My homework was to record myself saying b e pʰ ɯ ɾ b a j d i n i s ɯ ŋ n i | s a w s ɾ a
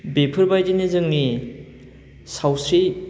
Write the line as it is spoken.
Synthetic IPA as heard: b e pʰ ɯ ɾ b a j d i n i z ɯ ŋ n i | s a w s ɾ i